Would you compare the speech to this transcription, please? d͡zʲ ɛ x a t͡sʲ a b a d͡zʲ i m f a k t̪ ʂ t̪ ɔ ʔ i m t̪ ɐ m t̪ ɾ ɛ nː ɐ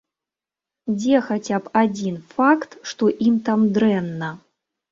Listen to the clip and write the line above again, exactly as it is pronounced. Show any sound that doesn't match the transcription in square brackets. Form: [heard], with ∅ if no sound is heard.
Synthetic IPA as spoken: d͡zʲ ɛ x a t͡sʲ a [p] a d͡zʲ i [n] f a k t̪ ʂ t̪ ɔ ʔ i m t̪ [a] m [d̪] ɾ ɛ nː ɐ